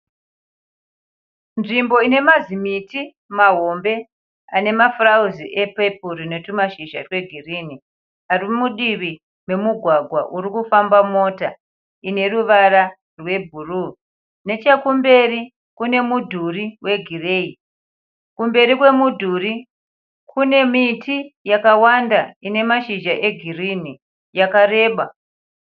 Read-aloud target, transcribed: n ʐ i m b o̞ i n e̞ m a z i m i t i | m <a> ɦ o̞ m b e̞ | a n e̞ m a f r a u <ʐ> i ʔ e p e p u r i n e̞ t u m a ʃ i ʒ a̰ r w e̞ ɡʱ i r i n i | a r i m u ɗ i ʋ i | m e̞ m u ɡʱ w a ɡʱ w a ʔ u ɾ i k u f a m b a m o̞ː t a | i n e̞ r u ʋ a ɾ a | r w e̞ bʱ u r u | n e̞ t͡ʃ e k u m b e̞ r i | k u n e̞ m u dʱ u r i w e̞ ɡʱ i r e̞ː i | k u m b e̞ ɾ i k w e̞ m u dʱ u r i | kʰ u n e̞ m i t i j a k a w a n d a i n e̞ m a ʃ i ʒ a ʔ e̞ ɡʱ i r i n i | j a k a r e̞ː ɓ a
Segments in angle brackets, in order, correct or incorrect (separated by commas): correct, incorrect